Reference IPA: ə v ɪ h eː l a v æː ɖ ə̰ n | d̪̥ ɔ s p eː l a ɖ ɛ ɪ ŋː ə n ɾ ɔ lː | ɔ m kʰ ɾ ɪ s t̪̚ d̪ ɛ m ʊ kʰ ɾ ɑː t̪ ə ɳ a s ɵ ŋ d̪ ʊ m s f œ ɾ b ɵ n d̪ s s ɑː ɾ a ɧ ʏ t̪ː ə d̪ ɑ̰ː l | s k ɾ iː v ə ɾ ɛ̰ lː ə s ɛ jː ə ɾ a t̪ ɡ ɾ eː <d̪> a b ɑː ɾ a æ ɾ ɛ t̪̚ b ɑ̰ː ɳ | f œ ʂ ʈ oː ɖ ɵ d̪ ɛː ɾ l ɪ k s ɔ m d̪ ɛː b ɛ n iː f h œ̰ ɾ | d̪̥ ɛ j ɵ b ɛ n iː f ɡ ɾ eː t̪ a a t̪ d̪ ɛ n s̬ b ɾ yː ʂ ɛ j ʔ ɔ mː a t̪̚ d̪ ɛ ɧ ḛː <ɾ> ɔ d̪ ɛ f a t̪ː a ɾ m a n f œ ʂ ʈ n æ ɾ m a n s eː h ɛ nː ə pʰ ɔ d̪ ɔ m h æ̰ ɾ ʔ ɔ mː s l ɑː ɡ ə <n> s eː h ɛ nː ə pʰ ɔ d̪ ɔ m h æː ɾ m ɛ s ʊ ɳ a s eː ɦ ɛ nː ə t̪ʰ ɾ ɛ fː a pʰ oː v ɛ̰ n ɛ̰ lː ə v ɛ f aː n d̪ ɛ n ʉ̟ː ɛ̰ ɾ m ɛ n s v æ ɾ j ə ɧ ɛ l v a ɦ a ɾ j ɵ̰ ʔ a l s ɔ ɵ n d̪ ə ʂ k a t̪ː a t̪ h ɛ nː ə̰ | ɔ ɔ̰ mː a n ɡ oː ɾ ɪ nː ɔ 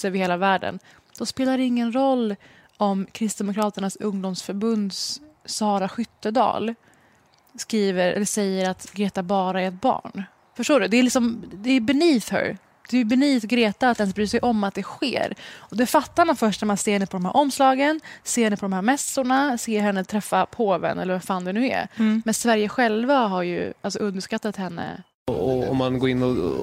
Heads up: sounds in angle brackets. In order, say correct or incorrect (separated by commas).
incorrect, correct, correct